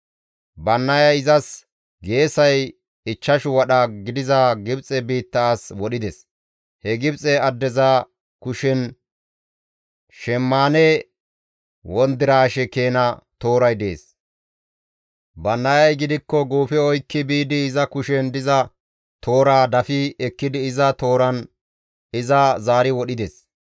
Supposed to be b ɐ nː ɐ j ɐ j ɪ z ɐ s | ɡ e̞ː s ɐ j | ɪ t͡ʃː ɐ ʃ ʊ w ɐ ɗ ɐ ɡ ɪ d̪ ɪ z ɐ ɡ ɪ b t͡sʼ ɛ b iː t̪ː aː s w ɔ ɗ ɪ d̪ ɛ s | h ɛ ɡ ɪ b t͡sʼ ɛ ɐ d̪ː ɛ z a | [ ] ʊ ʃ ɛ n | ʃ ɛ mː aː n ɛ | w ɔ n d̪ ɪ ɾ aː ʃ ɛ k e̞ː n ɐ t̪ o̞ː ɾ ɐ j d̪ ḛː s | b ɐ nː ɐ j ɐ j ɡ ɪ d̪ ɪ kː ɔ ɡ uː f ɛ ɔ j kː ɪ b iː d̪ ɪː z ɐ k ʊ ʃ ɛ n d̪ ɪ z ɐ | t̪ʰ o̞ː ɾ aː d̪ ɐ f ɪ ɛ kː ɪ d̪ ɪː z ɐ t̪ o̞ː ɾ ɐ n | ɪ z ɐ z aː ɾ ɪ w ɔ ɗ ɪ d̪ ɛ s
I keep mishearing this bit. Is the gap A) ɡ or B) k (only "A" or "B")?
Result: B